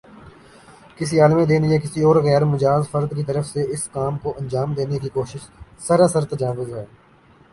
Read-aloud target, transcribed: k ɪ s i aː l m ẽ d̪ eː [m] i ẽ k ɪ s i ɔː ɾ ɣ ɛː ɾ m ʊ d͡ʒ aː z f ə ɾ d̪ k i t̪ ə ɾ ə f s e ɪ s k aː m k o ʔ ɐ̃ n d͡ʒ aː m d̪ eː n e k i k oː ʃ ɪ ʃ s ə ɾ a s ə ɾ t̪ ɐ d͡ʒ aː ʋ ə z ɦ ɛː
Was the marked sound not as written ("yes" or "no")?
yes